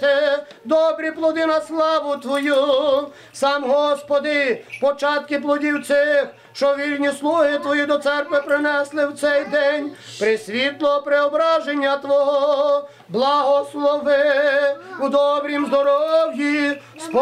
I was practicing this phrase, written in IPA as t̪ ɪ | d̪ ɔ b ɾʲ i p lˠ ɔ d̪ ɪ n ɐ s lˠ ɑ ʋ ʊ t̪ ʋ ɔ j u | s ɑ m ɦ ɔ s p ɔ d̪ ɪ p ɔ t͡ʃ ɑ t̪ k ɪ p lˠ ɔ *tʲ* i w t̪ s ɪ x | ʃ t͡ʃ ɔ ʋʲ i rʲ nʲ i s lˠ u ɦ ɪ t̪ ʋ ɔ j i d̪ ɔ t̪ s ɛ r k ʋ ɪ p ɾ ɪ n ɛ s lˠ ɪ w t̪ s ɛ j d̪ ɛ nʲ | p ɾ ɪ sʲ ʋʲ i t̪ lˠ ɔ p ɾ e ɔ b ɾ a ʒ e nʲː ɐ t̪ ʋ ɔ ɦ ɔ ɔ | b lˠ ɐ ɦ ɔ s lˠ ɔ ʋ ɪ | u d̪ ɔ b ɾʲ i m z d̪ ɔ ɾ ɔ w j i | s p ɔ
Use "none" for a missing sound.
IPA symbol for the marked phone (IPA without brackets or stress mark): dʲ